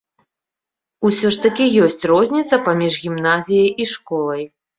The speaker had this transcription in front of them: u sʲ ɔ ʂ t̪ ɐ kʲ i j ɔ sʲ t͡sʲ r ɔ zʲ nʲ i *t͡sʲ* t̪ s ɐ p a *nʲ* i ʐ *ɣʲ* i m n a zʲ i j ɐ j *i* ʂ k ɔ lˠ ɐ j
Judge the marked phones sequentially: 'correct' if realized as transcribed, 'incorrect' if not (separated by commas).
incorrect, incorrect, correct, correct